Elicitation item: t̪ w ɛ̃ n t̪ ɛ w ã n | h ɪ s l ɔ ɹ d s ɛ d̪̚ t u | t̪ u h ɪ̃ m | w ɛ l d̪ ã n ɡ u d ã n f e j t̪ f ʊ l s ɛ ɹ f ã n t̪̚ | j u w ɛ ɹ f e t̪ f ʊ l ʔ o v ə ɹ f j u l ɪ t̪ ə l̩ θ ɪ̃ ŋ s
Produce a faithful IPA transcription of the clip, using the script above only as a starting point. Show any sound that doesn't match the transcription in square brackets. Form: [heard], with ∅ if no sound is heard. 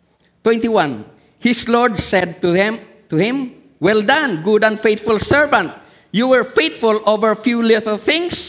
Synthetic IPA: t̪ w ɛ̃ n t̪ [i] w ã n | h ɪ s l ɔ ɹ d s ɛ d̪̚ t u | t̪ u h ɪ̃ m | w ɛ l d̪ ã n ɡ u d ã n f e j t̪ f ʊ l s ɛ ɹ [v] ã n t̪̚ | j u w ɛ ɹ f e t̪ f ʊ l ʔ o v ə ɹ f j u l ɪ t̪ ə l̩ θ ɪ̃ ŋ s